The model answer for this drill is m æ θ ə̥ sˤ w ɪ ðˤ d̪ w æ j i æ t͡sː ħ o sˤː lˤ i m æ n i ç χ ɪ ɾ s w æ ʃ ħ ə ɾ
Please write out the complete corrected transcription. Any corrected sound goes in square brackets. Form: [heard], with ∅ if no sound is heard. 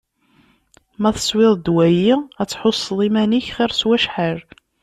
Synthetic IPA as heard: m æ θ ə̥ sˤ w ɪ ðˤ d̪ w æ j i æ t͡sː ħ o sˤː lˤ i m æ n i ç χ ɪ ɾ s w æ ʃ ħ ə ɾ